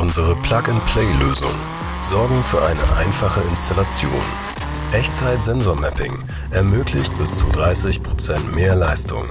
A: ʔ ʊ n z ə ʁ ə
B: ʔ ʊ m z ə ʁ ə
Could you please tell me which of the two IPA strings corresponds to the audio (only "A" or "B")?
A